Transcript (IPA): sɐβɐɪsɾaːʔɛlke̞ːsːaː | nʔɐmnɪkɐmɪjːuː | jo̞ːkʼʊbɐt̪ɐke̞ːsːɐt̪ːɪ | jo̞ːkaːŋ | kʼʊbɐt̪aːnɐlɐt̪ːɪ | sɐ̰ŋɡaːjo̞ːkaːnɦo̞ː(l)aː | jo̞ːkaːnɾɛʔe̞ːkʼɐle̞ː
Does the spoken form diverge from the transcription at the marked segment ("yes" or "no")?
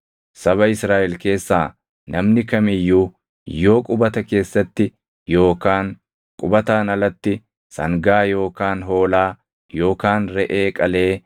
no